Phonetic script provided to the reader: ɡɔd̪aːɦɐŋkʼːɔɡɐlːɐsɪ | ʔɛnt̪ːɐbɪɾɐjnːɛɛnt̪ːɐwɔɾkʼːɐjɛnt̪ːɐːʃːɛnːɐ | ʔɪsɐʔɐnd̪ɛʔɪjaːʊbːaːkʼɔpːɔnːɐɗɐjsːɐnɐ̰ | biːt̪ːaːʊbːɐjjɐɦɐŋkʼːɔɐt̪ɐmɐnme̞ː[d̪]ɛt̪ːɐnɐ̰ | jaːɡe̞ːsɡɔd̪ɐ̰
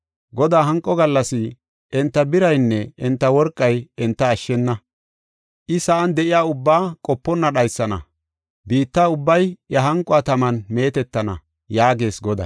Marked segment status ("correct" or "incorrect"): incorrect